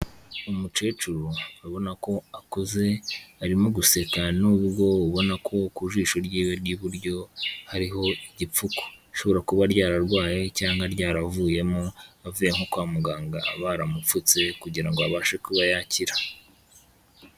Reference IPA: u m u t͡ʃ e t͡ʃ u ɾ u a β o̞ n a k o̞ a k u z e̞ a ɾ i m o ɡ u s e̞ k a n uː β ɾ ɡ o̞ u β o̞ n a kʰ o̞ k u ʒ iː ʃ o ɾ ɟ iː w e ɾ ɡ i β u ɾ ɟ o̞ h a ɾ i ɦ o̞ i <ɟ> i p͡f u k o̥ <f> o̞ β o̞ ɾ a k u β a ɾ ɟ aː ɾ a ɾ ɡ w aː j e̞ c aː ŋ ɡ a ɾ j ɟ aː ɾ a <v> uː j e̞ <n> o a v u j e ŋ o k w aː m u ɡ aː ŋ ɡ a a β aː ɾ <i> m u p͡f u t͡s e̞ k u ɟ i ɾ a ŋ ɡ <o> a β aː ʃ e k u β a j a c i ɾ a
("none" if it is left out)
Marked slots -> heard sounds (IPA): ɟ, ʃ, v, m, a, o

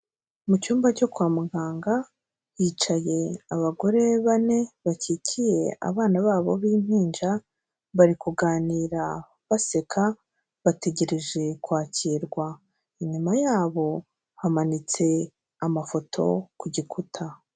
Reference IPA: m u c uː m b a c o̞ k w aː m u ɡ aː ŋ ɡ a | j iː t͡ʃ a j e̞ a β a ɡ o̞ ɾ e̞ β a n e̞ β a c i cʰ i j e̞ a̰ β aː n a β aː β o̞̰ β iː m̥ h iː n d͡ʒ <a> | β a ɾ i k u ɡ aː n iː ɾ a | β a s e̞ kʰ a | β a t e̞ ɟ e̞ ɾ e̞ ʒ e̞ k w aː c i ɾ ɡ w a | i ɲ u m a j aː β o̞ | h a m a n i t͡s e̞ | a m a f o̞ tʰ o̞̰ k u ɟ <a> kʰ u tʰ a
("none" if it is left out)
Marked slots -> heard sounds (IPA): a, i

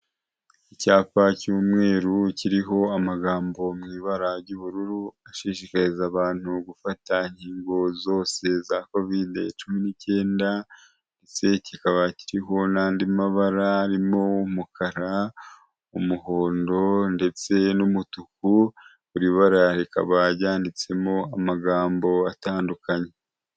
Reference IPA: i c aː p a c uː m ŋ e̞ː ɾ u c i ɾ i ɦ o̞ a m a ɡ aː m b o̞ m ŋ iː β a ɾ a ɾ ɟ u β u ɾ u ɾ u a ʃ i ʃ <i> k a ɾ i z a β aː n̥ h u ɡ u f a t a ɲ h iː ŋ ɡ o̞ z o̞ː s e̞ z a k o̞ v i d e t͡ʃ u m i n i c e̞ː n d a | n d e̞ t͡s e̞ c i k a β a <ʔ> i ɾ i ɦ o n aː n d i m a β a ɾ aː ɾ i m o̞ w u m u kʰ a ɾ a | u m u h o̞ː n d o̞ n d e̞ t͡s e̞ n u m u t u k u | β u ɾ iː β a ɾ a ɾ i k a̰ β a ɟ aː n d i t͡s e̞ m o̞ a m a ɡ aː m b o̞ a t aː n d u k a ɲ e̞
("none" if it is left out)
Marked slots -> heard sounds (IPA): i, c

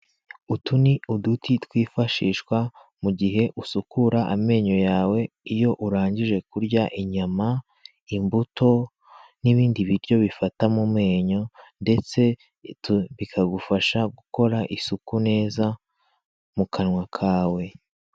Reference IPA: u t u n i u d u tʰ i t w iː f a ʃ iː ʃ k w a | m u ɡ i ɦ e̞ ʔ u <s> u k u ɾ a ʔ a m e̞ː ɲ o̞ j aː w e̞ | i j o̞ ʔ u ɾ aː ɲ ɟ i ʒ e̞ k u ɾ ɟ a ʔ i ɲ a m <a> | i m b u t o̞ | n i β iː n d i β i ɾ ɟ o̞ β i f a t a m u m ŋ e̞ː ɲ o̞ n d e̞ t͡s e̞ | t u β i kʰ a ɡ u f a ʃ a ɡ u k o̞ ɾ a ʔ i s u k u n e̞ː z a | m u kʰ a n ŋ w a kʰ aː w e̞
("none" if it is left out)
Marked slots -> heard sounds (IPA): s, a

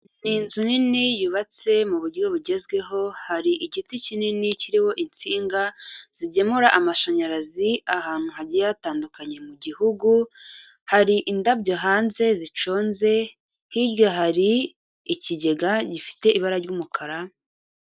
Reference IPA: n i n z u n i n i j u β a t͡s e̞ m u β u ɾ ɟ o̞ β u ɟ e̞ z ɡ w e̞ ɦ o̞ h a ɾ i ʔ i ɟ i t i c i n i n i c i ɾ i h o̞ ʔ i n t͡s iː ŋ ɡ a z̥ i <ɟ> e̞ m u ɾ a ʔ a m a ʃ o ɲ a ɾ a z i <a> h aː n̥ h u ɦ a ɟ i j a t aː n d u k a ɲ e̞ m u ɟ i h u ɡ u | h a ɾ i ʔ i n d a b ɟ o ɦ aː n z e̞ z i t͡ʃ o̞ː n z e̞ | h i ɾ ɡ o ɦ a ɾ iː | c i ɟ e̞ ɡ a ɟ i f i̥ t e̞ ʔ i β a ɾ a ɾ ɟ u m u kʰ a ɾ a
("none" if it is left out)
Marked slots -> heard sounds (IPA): ɟ, a

